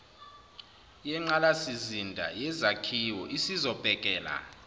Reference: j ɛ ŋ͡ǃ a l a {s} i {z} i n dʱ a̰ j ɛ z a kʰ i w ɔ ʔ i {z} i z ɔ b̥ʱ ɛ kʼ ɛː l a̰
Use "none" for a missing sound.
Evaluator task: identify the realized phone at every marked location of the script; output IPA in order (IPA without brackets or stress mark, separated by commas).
s, z, s